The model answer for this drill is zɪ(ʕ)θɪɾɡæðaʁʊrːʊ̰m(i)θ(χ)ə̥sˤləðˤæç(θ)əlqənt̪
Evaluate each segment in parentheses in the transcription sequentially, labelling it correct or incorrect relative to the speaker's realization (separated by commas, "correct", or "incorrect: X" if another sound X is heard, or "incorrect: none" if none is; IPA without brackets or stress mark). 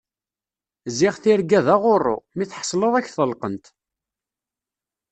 incorrect: ʁ, correct, incorrect: ħ, correct